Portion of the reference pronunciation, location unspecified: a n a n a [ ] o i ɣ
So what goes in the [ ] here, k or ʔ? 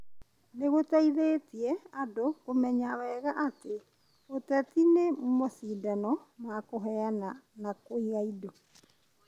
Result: k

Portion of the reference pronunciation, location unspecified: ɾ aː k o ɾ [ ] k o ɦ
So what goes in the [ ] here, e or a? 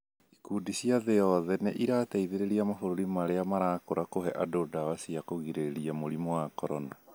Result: a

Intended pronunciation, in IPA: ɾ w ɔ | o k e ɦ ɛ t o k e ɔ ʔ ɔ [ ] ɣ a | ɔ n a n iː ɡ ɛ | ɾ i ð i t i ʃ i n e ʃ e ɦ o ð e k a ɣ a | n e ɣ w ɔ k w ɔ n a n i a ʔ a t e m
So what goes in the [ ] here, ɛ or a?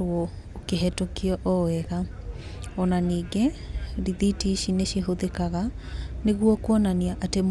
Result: ɛ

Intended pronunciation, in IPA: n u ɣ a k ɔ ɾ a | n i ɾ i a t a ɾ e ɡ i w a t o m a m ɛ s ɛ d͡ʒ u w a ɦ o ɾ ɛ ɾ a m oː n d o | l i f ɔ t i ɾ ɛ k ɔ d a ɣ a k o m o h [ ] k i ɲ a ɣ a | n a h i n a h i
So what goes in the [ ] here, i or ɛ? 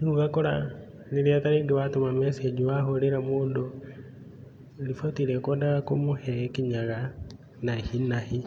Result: ɛ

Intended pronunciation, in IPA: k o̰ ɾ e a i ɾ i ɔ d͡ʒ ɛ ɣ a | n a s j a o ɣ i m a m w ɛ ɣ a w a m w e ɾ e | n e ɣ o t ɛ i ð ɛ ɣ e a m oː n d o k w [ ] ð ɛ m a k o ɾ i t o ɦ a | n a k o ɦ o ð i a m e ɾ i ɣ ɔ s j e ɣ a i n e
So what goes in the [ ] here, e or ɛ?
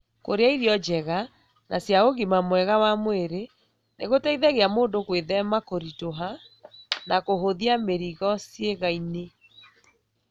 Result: e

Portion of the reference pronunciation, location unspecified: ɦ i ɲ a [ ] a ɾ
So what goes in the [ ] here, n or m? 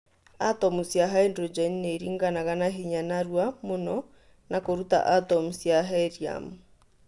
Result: n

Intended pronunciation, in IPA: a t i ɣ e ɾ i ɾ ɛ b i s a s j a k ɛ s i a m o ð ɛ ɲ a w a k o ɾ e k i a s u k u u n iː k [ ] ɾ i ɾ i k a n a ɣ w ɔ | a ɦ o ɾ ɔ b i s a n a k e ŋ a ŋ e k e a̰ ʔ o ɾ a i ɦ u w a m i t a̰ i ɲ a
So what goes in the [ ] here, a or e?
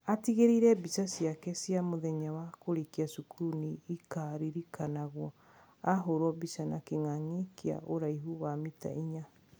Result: a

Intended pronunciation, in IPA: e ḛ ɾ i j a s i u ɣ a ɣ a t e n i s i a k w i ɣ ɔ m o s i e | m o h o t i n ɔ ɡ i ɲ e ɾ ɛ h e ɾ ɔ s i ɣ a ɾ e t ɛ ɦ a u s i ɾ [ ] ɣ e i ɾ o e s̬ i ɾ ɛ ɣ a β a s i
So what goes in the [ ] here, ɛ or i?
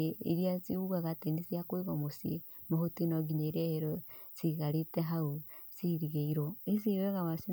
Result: i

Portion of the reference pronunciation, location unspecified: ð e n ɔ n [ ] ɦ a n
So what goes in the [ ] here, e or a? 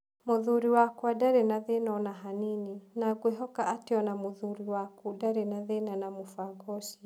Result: a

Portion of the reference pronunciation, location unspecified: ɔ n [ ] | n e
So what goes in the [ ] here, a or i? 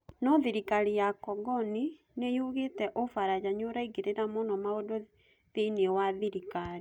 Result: i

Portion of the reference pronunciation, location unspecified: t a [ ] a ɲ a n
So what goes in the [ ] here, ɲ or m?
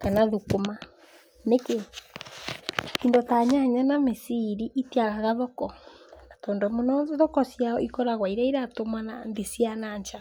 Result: ɲ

